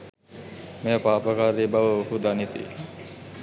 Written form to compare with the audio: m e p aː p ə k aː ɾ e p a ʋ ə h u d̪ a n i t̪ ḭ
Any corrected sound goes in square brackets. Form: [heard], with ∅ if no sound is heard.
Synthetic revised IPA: m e p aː p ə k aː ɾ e [b] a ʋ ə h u d̪ a n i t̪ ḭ